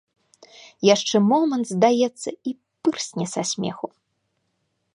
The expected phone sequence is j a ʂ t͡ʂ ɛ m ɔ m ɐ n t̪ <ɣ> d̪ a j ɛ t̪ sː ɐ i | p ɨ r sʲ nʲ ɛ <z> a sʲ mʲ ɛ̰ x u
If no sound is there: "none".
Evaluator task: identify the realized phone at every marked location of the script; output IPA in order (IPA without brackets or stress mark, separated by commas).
z, s